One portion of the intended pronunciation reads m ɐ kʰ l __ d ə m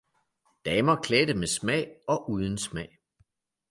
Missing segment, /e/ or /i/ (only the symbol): e